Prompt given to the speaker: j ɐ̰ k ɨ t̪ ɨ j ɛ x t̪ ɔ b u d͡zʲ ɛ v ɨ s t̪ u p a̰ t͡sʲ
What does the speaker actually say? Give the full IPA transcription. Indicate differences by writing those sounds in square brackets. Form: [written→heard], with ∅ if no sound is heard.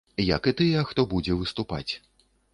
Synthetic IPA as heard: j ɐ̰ k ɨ t̪ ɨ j ɛ x t̪ ɔ b u d͡zʲ ɛ v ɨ s t̪ u p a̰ t͡sʲ